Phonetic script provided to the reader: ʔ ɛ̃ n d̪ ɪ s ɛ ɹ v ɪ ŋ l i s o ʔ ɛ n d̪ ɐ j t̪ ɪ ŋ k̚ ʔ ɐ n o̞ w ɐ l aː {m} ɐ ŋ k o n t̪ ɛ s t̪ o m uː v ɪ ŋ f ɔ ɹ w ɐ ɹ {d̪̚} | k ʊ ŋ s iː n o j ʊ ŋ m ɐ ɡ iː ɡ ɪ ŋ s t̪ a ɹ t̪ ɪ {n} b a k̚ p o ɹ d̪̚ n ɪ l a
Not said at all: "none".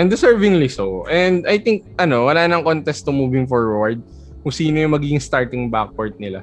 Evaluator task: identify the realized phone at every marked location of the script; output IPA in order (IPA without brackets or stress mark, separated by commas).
n, d̪̚, ŋ